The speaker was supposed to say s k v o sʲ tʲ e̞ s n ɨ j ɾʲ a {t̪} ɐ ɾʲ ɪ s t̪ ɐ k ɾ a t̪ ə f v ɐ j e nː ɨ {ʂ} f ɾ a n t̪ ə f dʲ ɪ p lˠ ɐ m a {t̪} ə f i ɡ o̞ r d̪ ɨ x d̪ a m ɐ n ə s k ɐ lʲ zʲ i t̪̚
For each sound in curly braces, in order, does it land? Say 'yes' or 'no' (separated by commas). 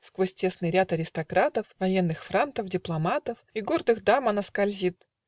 yes, no, yes